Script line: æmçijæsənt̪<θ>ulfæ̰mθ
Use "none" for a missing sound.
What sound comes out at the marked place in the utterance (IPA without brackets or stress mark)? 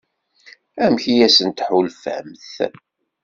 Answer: ħ